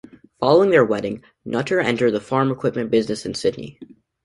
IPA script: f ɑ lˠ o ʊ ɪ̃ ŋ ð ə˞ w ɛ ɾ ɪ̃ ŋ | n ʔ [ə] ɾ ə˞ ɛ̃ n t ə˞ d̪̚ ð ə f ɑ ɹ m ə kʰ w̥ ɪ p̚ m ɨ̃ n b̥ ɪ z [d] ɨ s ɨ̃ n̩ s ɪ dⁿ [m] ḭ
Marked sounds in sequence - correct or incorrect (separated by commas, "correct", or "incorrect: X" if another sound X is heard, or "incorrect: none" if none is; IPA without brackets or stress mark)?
incorrect: ʌ, incorrect: n, incorrect: n